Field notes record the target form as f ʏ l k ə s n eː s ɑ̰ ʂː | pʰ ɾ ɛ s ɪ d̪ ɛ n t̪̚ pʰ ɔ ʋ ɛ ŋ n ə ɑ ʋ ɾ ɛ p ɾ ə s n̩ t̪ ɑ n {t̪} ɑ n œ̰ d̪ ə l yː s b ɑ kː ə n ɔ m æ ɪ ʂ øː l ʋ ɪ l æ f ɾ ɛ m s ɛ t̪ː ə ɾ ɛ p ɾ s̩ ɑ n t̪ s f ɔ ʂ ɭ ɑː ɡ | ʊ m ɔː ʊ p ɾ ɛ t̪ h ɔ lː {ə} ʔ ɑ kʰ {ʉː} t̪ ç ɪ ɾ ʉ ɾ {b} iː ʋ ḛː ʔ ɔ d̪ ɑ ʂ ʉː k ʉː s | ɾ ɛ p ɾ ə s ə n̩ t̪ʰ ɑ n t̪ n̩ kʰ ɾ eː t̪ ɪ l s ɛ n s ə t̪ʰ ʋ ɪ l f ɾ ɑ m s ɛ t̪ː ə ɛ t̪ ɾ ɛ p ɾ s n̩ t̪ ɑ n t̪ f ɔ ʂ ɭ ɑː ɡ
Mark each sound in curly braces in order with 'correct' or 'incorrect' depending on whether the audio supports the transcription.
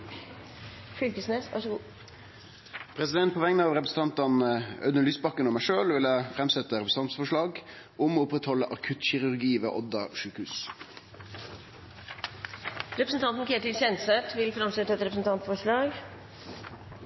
correct, correct, incorrect, incorrect

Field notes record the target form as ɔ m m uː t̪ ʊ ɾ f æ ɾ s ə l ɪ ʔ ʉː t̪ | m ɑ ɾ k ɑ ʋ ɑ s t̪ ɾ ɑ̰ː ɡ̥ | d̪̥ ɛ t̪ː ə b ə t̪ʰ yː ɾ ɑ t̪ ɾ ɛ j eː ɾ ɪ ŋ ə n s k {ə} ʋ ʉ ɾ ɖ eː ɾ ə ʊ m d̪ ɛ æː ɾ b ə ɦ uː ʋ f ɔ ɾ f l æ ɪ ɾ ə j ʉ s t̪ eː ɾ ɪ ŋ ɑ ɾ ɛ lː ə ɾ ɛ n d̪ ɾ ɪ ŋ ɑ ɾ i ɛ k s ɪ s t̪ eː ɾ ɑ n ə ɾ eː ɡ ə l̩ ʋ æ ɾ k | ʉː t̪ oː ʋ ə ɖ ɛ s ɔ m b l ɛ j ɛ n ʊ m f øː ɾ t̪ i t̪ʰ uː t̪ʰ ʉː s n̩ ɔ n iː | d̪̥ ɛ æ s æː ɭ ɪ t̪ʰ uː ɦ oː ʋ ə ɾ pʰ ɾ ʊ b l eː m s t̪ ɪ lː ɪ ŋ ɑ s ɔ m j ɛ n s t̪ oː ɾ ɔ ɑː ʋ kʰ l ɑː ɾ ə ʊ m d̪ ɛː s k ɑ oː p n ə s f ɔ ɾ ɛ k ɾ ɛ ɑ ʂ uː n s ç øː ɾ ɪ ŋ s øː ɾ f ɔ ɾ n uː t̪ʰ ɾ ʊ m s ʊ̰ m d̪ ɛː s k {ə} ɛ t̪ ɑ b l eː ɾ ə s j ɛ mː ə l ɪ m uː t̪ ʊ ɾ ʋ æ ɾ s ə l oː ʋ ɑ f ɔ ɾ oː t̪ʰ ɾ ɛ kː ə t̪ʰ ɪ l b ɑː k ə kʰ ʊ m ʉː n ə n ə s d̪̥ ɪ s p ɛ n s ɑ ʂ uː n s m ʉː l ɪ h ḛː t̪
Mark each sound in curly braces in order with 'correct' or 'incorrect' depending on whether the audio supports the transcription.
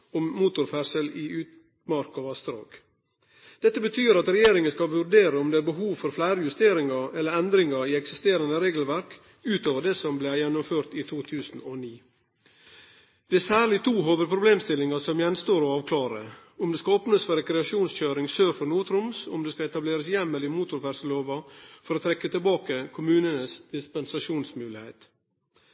incorrect, incorrect

